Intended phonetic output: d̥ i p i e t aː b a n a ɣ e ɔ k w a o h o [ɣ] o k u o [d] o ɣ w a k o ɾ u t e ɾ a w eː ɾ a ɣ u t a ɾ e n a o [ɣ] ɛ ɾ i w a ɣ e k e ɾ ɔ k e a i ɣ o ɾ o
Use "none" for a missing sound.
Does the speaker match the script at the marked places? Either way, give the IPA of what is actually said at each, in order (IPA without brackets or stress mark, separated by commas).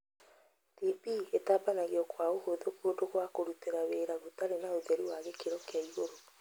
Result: ð, d, ð